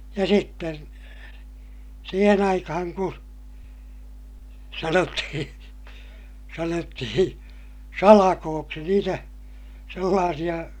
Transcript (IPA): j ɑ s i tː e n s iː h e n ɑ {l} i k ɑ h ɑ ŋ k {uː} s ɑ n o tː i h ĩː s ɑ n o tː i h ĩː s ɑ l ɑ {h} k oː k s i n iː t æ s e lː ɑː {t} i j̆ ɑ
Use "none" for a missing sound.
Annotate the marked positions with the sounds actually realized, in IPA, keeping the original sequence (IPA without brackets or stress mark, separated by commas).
none, u, none, s